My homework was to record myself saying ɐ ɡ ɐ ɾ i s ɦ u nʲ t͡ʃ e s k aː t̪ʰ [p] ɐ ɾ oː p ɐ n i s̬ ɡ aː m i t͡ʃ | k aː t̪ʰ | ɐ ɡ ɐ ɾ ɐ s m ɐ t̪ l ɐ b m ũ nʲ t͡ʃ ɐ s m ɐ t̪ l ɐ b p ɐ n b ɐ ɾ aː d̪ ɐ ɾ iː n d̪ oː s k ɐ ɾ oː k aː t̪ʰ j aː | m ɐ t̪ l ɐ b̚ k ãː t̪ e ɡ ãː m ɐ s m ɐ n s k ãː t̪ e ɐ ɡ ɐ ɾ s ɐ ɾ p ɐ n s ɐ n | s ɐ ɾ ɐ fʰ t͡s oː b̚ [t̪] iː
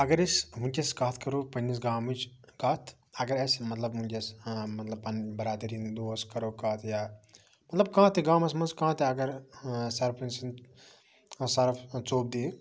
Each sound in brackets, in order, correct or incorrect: incorrect: k, incorrect: d̪

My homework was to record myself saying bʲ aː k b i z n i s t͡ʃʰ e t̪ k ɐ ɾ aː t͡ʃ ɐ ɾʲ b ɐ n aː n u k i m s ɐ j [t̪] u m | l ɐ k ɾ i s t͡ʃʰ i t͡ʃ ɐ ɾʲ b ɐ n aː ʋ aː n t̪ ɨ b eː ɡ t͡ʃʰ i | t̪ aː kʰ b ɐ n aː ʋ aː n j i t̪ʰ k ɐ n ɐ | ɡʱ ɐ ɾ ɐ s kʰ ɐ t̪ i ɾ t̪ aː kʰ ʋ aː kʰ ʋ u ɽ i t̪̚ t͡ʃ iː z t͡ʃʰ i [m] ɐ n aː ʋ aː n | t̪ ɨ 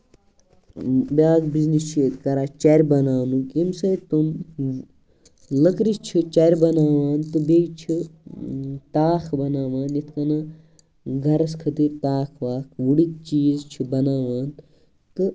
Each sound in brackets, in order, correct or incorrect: correct, incorrect: b

